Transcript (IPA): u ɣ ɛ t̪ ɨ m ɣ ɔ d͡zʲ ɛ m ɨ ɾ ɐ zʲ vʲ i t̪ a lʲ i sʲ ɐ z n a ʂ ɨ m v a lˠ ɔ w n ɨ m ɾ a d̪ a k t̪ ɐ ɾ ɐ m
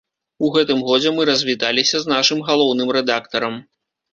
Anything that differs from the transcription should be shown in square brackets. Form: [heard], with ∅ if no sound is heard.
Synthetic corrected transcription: u ɣ ɛ t̪ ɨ m ɣ ɔ d͡zʲ ɛ m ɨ ɾ ɐ zʲ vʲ i t̪ a lʲ i sʲ ɐ z n a ʂ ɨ m [ɣ] a lˠ ɔ w n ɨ m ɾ [ɛ] d̪ a k t̪ ɐ ɾ ɐ m